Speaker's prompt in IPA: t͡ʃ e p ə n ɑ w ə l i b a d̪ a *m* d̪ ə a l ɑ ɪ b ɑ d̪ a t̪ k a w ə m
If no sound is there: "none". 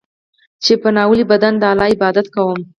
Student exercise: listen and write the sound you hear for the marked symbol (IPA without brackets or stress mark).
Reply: n